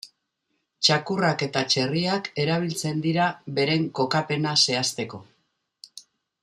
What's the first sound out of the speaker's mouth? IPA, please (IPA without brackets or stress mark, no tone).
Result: t͡ʃ